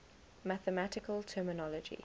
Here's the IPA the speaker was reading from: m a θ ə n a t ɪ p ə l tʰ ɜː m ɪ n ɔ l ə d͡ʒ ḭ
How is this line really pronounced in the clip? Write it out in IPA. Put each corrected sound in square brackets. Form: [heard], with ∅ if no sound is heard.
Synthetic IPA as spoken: m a θ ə [m] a t ɪ [k] ə l tʰ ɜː m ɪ n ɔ l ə d͡ʒ ḭ